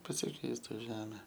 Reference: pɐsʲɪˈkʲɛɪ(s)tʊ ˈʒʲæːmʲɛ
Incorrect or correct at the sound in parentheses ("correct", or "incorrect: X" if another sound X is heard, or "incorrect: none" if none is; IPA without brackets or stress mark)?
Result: correct